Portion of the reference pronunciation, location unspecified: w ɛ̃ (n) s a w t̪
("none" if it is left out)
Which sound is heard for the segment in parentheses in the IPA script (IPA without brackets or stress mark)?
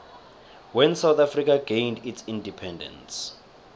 n